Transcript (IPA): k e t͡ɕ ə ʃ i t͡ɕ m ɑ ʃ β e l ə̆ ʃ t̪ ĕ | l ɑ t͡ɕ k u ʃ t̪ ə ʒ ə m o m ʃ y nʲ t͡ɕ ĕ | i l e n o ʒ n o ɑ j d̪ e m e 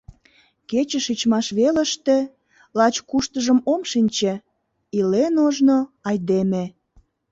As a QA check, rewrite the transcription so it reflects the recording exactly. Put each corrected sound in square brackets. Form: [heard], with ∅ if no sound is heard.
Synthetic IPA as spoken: k e t͡ɕ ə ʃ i t͡ɕ m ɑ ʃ β e l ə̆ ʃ t̪ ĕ | l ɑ t͡ɕ k u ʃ t̪ ə ʒ ə m o m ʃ [i] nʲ t͡ɕ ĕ | i l e n o ʒ n o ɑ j d̪ e m e